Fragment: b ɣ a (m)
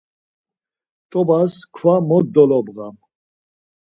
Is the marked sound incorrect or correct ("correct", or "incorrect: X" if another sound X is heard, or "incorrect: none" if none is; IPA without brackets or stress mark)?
correct